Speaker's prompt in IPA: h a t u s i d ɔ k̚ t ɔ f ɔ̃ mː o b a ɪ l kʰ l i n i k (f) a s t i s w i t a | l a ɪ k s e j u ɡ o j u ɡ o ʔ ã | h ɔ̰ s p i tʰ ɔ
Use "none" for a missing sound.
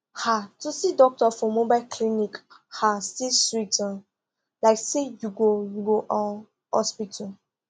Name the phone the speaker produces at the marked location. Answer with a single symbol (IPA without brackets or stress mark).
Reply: h